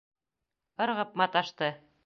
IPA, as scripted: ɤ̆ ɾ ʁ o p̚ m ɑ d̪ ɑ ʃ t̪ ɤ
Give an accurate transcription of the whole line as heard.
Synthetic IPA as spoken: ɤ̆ ɾ ʁ ɤ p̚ m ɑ t̪ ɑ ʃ t̪ ɤ